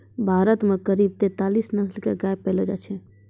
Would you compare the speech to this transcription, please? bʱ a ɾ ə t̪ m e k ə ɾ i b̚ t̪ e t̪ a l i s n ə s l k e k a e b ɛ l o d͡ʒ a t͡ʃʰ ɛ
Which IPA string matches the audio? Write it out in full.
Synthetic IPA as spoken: bʱ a ɾ ə t̪ m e k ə ɾ i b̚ t̪ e t̪ a l i s n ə s l k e ɡ a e p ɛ l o d͡ʒ a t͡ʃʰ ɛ